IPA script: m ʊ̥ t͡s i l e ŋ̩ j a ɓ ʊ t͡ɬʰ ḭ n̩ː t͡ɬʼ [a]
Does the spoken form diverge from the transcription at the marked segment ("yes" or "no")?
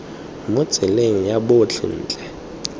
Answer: yes